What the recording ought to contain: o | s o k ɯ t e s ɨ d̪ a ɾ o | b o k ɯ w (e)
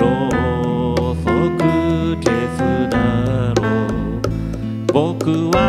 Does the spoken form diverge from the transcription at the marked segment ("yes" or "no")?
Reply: yes